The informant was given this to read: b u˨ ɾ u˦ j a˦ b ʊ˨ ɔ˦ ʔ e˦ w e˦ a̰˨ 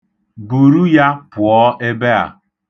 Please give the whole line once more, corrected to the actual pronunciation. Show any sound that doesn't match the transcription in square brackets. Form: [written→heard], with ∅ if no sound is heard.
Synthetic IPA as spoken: b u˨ ɾ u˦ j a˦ [b→p] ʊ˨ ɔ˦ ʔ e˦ [w→b] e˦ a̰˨